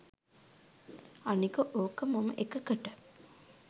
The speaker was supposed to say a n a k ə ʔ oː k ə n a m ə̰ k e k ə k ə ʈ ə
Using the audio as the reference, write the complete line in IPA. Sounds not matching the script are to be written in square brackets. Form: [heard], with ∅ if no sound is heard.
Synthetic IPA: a n [i] k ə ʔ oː k ə [m] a m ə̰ [ʔ] e k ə k ə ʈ ə